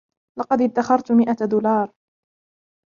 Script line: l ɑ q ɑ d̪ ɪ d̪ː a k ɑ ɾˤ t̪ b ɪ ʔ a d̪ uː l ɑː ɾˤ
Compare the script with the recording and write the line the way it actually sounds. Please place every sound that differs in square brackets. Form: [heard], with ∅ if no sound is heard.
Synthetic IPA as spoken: l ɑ q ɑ d̪ ɪ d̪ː a [x] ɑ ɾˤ t̪ [m] ɪ ʔ a d̪ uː l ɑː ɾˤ